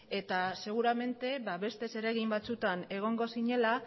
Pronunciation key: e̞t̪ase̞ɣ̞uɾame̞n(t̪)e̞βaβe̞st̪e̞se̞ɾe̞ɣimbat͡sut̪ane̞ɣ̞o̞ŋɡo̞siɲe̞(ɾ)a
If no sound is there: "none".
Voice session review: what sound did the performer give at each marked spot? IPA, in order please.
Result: t̪, l

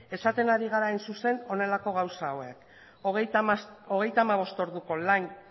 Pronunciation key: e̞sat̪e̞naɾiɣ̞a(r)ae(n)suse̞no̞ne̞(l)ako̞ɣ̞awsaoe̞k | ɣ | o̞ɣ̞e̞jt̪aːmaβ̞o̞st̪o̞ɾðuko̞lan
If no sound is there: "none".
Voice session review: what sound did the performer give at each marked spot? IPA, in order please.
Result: ɾ, n, l

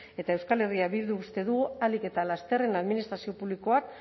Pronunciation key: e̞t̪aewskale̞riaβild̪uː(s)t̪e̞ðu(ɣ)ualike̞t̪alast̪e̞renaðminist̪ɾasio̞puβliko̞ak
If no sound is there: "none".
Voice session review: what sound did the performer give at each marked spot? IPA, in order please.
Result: s, ɣ

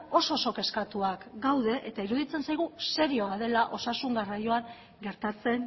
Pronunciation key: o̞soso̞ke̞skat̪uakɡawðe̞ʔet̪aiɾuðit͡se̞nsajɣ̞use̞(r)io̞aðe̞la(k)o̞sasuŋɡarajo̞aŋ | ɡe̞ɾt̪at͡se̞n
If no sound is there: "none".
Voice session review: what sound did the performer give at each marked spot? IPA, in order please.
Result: ɾ, ʔ

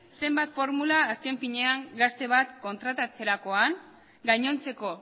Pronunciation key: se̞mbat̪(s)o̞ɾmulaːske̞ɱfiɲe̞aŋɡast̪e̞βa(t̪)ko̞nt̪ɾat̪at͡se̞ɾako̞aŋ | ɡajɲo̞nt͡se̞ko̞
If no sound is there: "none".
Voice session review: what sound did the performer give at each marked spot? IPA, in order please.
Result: f, t̪

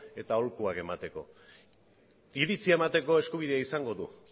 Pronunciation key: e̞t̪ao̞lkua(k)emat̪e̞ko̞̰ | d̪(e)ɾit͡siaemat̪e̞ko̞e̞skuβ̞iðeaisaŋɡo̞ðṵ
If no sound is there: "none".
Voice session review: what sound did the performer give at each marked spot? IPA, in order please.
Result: k, i

